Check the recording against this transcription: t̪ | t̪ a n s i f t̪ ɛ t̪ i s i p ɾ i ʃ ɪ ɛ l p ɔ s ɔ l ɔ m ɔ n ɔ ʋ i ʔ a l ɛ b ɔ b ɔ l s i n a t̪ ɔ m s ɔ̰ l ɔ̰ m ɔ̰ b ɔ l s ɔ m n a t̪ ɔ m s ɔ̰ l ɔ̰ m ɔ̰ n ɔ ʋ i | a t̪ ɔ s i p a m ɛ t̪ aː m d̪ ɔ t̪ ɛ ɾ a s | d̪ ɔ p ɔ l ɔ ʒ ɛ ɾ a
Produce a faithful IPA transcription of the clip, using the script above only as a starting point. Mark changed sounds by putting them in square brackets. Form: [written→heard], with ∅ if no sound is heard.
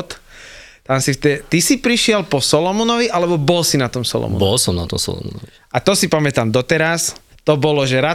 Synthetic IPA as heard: t̪ | t̪ a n s i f t̪ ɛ t̪ i s i p ɾ i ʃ ɪ ɛ l p ɔ s ɔ l ɔ m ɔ n ɔ ʋ i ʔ a l ɛ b ɔ b ɔ l s i n a t̪ ɔ m s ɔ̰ l ɔ̰ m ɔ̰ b ɔ l s ɔ m n a t̪ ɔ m s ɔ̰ l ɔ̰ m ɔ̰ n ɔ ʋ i | a t̪ ɔ s i p a m ɛ t̪ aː m d̪ ɔ t̪ ɛ ɾ a s | [d̪→t̪] ɔ [p→b] ɔ l ɔ ʒ ɛ ɾ a